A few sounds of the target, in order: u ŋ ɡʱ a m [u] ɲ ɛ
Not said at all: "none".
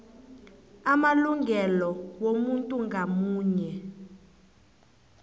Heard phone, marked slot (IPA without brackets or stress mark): uː